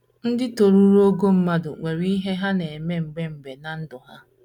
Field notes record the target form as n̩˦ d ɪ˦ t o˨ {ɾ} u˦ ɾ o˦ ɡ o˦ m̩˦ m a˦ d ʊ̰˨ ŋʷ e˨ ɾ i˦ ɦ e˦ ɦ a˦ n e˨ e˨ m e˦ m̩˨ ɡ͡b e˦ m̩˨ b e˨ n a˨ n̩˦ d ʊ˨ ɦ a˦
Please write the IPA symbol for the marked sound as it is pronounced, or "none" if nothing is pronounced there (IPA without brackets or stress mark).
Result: ɾ